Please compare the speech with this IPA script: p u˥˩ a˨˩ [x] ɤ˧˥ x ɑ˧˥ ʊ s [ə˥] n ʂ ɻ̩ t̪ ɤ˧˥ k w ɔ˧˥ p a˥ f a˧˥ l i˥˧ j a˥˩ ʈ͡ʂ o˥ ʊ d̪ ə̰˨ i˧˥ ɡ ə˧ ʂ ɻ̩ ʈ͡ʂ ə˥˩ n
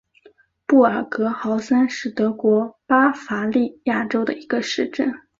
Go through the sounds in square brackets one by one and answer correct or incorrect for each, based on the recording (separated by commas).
incorrect, incorrect